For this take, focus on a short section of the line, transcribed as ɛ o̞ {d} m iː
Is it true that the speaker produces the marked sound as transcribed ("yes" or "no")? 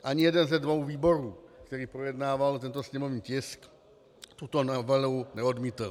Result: yes